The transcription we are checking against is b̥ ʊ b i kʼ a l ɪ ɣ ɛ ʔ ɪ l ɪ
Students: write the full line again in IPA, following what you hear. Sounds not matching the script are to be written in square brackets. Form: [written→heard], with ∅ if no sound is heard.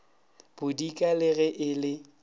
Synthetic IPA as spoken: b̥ ʊ [b→d] i kʼ a l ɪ ɣ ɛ ʔ ɪ l ɪ